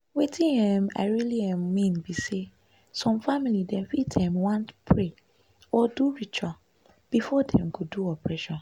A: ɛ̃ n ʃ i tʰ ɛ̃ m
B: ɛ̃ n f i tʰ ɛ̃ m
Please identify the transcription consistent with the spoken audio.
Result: B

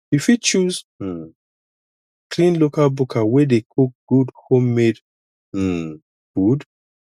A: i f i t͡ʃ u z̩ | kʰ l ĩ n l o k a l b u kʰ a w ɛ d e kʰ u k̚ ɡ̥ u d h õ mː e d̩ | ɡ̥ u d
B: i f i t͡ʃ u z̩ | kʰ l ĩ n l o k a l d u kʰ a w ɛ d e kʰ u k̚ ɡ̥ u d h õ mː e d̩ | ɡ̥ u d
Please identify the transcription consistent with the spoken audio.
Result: A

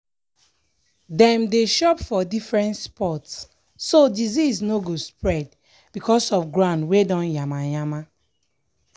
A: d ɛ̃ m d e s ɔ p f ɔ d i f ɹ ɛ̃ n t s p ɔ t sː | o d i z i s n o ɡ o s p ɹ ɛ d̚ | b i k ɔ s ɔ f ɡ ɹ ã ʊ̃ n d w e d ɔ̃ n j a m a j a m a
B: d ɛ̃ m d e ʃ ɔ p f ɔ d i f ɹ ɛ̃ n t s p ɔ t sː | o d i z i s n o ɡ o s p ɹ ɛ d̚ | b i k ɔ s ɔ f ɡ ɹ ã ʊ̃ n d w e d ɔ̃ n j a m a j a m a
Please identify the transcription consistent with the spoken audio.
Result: B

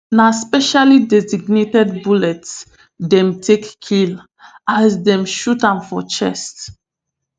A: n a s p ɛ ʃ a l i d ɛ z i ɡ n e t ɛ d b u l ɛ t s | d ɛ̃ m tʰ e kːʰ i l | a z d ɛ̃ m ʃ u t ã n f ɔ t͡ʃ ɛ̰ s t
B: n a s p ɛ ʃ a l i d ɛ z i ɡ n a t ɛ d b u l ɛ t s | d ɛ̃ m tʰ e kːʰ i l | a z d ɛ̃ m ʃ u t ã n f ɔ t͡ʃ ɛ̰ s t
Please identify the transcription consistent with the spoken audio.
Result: A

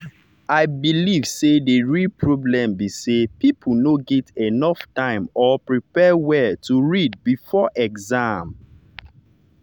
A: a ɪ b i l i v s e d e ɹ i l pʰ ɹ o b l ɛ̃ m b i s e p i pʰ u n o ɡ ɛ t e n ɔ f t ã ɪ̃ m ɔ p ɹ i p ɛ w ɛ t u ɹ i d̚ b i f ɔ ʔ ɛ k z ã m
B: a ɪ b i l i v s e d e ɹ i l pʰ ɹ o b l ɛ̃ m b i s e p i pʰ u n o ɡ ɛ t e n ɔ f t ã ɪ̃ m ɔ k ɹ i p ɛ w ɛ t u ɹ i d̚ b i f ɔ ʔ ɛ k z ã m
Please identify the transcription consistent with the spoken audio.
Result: A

